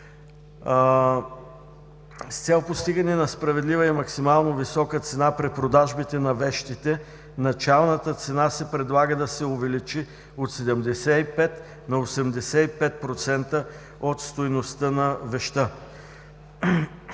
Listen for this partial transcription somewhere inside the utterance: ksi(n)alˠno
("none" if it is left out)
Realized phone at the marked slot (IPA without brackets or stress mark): m